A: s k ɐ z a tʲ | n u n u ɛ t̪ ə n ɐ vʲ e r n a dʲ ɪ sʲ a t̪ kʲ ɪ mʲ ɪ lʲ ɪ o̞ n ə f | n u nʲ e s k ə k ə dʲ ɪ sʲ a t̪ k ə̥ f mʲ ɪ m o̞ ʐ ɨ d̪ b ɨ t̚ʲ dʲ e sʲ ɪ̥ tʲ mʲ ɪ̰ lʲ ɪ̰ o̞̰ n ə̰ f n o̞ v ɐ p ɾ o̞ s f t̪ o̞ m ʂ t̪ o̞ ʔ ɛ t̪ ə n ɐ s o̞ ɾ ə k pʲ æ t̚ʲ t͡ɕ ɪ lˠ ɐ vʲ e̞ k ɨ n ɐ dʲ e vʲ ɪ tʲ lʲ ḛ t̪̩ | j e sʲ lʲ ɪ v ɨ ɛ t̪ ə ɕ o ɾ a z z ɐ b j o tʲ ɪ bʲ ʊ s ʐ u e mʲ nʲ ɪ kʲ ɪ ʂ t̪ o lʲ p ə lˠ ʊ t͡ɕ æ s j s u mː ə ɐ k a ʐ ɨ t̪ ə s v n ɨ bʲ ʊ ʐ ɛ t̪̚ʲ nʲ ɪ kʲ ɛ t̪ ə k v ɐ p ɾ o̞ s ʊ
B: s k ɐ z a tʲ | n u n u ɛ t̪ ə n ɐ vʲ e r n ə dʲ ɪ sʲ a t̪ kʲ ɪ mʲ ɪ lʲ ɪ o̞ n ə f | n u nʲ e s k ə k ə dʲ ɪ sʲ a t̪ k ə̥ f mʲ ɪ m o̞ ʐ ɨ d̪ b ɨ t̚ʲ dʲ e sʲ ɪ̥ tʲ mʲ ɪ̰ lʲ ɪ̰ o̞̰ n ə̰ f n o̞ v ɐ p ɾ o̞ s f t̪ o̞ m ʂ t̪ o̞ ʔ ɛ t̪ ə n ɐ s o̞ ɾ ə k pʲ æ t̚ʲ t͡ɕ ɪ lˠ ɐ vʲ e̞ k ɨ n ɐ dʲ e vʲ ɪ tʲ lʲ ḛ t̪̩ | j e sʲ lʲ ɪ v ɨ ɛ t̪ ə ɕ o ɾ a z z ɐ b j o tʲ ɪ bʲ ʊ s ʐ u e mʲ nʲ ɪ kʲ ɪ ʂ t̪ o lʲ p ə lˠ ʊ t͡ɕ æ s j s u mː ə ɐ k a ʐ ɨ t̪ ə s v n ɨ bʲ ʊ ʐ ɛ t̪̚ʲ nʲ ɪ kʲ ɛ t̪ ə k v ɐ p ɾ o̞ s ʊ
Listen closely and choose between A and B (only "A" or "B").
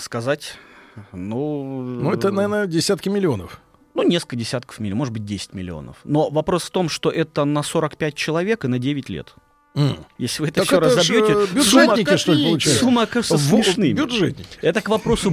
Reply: B